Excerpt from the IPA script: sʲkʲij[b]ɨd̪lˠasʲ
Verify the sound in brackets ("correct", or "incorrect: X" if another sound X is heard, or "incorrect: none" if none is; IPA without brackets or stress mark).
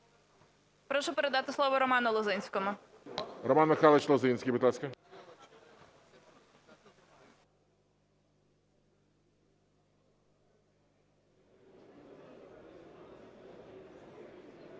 correct